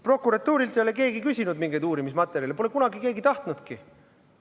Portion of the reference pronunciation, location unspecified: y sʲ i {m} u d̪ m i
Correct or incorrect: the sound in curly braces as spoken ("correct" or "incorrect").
incorrect